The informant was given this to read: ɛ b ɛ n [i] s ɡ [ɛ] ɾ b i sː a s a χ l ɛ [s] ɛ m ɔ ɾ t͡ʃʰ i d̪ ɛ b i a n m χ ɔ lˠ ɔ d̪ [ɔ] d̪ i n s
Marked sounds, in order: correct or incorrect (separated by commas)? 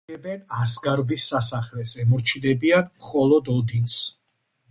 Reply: incorrect, incorrect, correct, correct